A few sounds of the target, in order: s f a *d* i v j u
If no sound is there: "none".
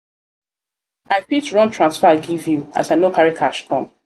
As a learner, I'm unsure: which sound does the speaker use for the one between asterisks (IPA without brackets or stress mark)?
ɡ